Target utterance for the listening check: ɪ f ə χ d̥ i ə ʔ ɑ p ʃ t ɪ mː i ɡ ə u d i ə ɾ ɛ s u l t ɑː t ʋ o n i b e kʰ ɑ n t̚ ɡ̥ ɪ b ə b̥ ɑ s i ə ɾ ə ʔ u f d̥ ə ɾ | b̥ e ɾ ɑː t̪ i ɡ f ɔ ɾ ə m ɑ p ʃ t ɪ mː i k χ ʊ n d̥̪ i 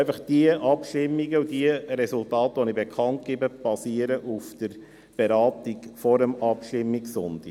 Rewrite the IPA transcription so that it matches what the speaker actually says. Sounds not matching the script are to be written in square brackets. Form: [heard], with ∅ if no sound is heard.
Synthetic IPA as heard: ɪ f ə χ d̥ i ə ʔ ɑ p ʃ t ɪ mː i ɡ ə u d i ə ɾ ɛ s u l t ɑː t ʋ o n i b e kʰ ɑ n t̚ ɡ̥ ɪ b ə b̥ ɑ s i ə ɾ ə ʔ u f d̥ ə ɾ | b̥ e ɾ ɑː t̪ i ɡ f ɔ ɾ ə m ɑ p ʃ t ɪ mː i k [s] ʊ n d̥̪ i

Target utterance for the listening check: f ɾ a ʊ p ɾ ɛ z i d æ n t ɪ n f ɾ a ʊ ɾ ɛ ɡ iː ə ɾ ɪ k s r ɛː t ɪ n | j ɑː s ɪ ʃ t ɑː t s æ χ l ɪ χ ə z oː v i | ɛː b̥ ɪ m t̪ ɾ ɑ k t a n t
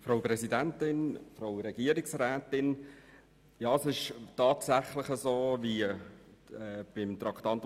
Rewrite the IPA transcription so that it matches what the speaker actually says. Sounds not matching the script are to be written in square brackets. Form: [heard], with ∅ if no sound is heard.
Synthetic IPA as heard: f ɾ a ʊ p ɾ ɛ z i d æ n t ɪ n f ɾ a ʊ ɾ ɛ ɡ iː ə ɾ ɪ k s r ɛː t ɪ n | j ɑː s ɪ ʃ t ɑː t s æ χ l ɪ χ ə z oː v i | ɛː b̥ ɪ m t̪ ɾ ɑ k t [ɑ] n t

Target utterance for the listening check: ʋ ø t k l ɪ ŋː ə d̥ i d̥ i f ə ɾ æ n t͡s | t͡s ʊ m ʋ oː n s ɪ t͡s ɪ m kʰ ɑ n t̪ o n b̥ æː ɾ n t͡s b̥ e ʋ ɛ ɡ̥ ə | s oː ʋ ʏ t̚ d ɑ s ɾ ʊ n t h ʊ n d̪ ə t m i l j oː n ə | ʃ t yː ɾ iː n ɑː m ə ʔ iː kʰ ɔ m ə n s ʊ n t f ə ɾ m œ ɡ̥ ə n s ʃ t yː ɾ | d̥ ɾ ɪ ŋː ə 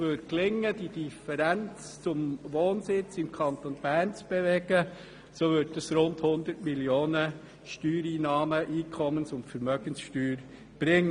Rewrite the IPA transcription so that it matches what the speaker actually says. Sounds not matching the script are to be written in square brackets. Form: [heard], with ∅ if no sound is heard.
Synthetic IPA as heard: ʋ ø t k l ɪ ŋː ə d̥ i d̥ i f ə ɾ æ n t͡s | t͡s ʊ m ʋ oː n s ɪ t͡s ɪ m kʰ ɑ n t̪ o n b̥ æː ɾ n t͡s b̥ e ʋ ɛ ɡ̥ ə | s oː ʋ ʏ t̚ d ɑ s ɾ ʊ n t h ʊ n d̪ ə t m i l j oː n ə | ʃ t yː ɾ iː n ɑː m ə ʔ iː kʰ ɔ m ə n s ʊ n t f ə ɾ m œ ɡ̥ ə n s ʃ t yː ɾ | [b̥] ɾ ɪ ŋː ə

